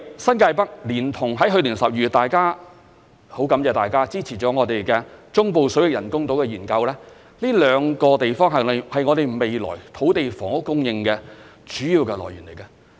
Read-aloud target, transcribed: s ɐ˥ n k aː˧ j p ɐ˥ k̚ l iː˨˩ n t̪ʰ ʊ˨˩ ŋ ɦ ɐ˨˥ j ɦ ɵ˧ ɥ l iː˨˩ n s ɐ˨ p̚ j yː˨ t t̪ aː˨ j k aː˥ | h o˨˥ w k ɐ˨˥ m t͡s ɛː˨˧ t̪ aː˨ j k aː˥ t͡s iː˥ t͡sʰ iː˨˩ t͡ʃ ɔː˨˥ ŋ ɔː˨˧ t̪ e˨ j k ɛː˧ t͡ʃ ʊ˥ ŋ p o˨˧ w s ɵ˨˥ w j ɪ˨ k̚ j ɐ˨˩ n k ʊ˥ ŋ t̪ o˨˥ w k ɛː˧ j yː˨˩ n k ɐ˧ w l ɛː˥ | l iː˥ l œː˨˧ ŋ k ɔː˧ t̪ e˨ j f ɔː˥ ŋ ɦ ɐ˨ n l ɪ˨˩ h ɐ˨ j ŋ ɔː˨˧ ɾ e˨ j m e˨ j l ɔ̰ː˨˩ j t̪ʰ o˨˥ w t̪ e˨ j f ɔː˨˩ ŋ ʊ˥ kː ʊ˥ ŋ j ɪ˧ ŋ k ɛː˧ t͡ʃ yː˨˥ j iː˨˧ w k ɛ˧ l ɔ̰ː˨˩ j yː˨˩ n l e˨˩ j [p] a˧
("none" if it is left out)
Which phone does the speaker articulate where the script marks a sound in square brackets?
k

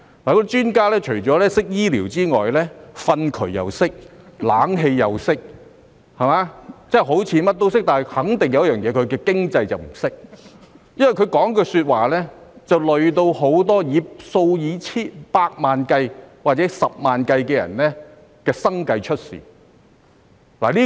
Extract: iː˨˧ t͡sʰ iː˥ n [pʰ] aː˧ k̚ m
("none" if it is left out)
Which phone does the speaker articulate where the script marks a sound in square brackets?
p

